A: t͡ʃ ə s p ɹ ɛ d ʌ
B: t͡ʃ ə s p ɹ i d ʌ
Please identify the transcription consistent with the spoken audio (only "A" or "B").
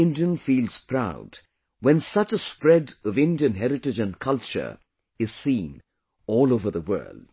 A